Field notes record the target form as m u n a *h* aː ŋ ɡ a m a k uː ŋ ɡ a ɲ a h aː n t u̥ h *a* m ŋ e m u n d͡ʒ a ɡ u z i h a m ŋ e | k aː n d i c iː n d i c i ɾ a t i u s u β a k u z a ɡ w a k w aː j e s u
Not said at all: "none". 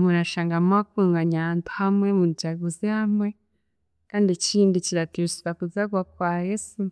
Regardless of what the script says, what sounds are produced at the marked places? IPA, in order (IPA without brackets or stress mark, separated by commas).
ʃ, a